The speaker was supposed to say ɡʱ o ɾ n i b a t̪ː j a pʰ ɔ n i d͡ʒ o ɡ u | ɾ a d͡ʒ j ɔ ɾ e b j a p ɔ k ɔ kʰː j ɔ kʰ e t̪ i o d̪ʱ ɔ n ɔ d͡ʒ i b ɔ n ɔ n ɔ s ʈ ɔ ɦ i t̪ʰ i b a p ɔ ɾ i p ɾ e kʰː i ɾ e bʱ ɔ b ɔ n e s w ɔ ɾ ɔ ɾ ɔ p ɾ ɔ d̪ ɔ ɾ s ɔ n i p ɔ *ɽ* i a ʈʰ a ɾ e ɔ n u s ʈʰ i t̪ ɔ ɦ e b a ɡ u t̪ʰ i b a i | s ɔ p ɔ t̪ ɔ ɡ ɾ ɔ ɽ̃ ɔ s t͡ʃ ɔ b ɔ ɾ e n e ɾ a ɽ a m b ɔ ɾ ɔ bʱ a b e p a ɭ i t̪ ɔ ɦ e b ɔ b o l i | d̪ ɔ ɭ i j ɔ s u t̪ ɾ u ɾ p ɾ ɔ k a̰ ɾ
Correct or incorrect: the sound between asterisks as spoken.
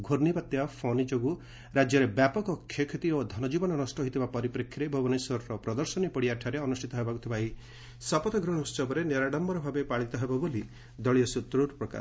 correct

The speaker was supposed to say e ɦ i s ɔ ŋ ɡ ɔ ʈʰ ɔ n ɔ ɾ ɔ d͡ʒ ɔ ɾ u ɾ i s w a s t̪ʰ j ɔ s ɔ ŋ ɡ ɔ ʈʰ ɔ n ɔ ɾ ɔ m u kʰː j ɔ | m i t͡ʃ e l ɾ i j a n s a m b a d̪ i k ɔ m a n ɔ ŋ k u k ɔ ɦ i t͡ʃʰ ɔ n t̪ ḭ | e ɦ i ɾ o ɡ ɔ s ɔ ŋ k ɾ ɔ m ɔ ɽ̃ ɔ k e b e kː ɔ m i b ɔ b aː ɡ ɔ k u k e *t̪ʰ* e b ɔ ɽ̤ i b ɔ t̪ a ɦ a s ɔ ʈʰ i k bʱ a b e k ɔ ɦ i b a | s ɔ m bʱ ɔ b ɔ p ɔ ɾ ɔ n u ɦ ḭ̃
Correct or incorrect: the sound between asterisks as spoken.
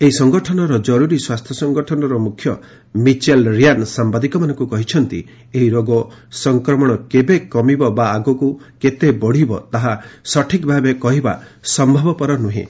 incorrect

